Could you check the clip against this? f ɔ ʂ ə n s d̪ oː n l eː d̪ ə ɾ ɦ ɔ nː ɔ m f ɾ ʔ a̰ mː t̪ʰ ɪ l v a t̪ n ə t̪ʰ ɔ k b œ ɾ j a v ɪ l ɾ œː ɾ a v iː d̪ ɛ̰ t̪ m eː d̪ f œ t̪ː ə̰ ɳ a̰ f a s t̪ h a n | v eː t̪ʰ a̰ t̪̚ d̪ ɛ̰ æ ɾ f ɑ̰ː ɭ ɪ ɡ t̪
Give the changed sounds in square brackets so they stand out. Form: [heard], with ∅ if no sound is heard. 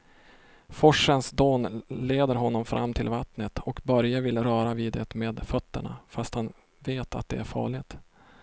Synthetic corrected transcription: f ɔ ʂ ə n s d̪ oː n l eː d̪ ə ɾ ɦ ɔ nː ɔ m f ɾ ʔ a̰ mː t̪ʰ ɪ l v a t̪ n ə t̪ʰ ɔ k b œ ɾ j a v ɪ l ɾ œː ɾ a v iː d̪ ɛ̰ t̪ m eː d̪ f œ t̪ː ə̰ ɳ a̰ f a s t̪ h a n | v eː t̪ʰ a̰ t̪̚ d̪ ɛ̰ æ ɾ f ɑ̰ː ɭ ɪ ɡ t̪